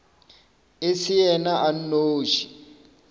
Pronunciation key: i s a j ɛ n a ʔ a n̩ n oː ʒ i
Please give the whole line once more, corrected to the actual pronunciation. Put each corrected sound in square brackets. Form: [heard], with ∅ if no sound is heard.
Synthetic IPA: [e] s [i] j ɛ n a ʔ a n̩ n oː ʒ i